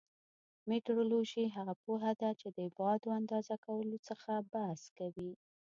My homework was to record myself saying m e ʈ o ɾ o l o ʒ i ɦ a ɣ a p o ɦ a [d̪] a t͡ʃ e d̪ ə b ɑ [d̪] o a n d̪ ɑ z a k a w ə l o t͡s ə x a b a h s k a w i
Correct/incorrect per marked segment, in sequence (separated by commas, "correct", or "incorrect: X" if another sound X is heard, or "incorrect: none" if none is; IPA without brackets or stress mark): correct, correct